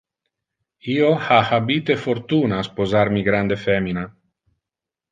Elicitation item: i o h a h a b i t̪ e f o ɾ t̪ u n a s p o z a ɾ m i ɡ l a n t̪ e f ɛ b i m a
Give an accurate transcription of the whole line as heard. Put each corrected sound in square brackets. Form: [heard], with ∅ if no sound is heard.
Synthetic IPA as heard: i o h a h a b i t̪ e f o ɾ t̪ u n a s p o z a ɾ m i ɡ [ɾ] a n [d̪] e f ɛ [m] i [n] a